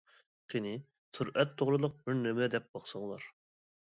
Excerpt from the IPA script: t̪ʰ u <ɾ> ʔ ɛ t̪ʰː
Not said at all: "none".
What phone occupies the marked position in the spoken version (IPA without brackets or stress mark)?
ɾ